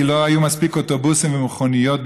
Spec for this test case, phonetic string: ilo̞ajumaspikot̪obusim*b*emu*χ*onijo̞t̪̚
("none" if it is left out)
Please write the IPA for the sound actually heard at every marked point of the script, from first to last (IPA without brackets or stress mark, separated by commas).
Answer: v, χ